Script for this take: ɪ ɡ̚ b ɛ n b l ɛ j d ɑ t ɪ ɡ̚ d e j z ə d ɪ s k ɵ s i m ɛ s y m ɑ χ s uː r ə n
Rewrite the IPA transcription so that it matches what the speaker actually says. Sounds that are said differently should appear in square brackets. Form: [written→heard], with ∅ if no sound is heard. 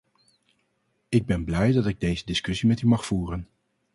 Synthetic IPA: ɪ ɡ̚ b ɛ n b l ɛ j d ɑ t ɪ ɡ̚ d e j z ə d ɪ s k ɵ s i m ɛ [s→t] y m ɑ χ [s→f] uː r ə n